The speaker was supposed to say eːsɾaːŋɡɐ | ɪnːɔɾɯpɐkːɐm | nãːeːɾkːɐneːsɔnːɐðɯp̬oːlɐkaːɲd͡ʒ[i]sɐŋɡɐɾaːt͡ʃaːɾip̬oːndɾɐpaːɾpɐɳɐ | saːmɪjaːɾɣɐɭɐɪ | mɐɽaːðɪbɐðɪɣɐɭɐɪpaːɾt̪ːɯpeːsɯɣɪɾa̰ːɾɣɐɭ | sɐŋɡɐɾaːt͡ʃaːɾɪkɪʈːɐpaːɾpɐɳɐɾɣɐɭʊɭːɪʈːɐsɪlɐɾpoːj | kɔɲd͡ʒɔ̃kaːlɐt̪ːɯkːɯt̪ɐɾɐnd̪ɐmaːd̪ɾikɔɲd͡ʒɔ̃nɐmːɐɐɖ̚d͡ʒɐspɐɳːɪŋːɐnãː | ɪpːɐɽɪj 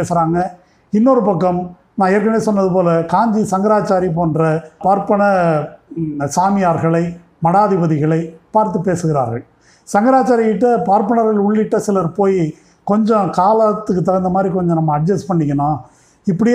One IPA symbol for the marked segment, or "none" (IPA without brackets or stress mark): i